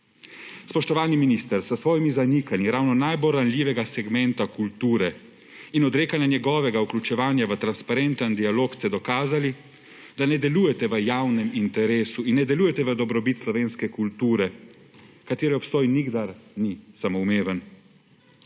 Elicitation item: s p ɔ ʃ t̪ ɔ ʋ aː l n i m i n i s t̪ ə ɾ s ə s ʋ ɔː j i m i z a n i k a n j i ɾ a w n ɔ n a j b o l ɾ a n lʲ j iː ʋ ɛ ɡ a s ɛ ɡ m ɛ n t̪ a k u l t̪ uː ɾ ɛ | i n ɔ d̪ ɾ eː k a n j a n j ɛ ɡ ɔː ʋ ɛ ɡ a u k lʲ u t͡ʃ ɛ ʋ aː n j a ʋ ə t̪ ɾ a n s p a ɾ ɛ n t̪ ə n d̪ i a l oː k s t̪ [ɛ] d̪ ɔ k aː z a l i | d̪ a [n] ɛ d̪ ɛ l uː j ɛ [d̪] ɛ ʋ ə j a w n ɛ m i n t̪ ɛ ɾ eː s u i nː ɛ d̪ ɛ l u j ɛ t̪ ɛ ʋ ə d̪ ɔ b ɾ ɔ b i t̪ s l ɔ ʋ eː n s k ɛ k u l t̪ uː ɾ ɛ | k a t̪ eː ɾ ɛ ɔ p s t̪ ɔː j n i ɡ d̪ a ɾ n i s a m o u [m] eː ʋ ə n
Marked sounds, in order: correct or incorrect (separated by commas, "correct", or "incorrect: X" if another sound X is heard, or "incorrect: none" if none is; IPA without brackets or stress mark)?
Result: correct, correct, incorrect: t̪, correct